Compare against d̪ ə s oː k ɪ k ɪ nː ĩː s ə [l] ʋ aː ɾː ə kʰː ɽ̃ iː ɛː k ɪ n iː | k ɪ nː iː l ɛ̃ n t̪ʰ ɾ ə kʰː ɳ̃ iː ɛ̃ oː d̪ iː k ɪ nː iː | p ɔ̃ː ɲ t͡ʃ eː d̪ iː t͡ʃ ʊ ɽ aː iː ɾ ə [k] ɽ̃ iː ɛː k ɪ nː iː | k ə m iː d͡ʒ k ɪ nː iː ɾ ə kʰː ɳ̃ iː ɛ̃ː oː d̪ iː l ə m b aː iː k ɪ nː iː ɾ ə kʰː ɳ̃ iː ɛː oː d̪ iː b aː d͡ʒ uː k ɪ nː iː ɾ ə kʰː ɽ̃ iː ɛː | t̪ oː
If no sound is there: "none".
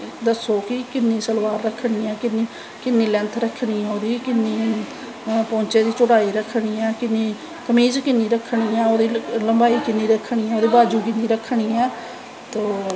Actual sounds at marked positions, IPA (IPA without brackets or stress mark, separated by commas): l, kʰ